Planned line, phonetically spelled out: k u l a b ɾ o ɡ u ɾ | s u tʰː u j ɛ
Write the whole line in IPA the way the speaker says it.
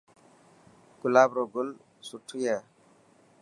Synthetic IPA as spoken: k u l a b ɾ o ɡ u l | s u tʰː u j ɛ